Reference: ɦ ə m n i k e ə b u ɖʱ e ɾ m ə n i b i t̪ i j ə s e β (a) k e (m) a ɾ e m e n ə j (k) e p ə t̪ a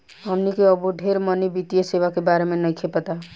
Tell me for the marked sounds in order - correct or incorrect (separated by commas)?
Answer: correct, incorrect, incorrect